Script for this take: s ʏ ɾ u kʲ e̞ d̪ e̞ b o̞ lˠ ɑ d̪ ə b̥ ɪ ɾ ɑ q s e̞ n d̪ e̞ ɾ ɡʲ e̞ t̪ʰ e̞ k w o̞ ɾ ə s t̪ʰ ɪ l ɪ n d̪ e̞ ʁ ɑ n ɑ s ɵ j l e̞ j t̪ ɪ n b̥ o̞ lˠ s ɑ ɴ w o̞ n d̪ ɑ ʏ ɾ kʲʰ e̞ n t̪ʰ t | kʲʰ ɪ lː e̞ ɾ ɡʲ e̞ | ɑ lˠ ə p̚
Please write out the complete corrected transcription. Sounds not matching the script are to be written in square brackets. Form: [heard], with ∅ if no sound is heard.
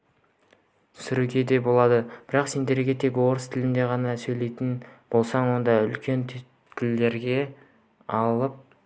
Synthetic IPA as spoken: s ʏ ɾ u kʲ e̞ d̪ e̞ b o̞ lˠ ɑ d̪ ə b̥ ɪ ɾ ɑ q s e̞ n d̪ e̞ ɾ ɡʲ e̞ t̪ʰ e̞ k w o̞ ɾ ə s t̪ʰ ɪ l ɪ n d̪ e̞ ʁ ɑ n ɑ s ɵ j l e̞ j t̪ ɪ n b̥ o̞ lˠ s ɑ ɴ w o̞ n d̪ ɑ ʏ [l] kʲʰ e̞ n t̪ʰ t | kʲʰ ɪ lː e̞ ɾ ɡʲ e̞ | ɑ lˠ ə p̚

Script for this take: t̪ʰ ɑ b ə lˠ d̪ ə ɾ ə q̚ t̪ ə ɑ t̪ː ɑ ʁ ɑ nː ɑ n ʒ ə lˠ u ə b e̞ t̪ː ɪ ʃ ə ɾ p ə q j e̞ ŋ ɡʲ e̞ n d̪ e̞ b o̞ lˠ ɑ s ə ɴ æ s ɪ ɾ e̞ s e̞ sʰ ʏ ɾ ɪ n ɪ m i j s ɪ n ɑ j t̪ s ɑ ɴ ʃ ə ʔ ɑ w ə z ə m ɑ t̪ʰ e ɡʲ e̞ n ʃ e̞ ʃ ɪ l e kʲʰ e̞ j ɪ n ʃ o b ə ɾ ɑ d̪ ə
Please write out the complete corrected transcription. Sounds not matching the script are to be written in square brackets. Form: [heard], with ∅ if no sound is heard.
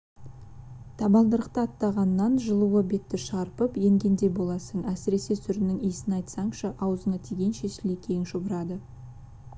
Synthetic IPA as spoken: t̪ʰ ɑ b [ɑ] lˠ d̪ ə ɾ ə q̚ t̪ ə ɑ t̪ː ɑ ʁ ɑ nː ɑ n ʒ ə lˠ u ə b e̞ t̪ː ɪ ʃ [ɑ] ɾ p ə [p] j e̞ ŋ ɡʲ e̞ n d̪ e̞ b o̞ lˠ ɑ s ə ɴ æ s ɪ ɾ e̞ s e̞ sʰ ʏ ɾ ɪ n ɪ [ŋ] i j s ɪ n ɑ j t̪ s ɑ ɴ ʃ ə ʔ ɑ w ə z ə [ɴ] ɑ t̪ʰ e ɡʲ e̞ n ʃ e̞ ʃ ɪ l e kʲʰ e̞ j ɪ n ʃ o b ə ɾ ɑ d̪ ə

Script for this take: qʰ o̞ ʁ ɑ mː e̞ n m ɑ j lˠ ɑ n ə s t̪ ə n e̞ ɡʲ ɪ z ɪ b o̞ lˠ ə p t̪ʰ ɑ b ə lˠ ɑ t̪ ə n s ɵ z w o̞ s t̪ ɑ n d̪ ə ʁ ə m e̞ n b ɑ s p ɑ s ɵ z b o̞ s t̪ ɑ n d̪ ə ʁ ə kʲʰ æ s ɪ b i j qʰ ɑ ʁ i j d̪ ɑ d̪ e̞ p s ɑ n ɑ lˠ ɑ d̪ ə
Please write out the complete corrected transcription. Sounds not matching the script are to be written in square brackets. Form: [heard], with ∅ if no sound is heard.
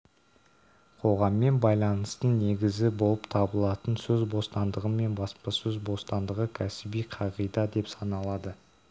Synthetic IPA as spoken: qʰ o̞ ʁ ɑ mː e̞ n [b] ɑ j lˠ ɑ n ə s t̪ ə n e̞ ɡʲ ɪ z ɪ b o̞ lˠ ə p t̪ʰ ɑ b ə lˠ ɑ t̪ ə n s ɵ z [b] o̞ s t̪ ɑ n d̪ ə ʁ ə m e̞ n b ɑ s p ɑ s ɵ z b o̞ s t̪ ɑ n d̪ ə ʁ ə kʲʰ æ s ɪ b i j qʰ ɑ ʁ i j d̪ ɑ d̪ e̞ p s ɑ n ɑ lˠ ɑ d̪ ə

